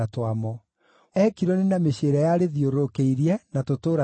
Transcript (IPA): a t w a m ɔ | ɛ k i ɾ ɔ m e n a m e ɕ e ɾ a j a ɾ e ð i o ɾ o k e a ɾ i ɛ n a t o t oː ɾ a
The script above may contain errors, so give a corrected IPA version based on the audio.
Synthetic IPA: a t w a m ɔ | ɛ k i ɾ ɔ n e n a m e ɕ e ɾ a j a ɾ e ð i o ɾ o k e i ɾ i ɛ n a t o t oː ɾ a